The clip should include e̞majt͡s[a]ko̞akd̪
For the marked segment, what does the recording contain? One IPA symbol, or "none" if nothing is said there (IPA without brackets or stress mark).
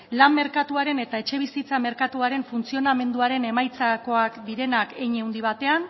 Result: a